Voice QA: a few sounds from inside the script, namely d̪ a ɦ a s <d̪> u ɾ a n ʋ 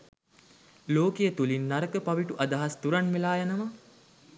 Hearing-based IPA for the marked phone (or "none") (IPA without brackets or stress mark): t̪